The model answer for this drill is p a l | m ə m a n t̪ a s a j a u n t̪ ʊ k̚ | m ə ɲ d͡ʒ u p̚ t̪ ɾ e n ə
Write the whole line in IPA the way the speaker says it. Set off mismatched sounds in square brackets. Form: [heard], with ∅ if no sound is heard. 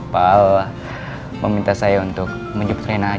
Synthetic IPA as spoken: p a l | m ə m [i] n t̪ a s a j a u n t̪ ʊ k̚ | m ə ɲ d͡ʒ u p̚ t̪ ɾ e n [a]